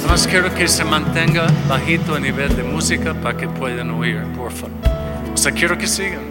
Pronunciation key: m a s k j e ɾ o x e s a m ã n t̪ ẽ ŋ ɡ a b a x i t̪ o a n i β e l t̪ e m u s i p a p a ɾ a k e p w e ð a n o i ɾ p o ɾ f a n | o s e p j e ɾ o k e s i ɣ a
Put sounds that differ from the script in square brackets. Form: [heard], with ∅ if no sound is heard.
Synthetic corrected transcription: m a s k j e ɾ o [k] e s [e] m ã n t̪ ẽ ŋ ɡ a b a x i t̪ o a n i β e l [d̪] e m u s i [k] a p a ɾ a k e p w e ð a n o i ɾ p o ɾ f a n | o s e [k] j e ɾ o k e s i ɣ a